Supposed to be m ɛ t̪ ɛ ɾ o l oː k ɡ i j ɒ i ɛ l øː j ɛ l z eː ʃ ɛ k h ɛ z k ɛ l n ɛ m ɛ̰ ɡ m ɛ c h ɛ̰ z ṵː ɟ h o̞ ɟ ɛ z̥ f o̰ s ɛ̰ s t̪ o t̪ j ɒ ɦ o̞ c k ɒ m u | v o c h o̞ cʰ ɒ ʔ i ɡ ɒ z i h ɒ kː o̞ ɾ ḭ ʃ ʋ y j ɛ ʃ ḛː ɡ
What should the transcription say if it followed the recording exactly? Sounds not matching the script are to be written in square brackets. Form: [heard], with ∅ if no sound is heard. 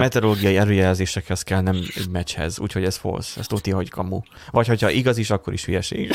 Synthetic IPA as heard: m ɛ t̪ ɛ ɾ o l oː [∅] ɡ i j ɒ i ɛ l øː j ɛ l z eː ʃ ɛ k h ɛ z k ɛ l n ɛ m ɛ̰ [ɟ] m ɛ c h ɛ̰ z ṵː [c] h o̞ ɟ ɛ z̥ f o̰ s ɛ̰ s t̪ o t̪ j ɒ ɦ o̞ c k ɒ m u | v [ɒ] c h o̞ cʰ ɒ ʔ i ɡ ɒ z i [ʃ] ɒ kː o̞ ɾ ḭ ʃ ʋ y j ɛ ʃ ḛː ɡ